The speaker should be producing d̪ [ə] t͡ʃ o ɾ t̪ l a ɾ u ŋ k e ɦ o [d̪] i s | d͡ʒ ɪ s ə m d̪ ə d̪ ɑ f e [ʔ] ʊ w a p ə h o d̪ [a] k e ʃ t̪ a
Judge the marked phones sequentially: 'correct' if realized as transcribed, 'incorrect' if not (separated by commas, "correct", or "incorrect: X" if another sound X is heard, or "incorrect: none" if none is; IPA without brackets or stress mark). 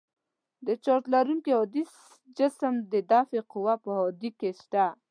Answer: correct, correct, incorrect: q, incorrect: i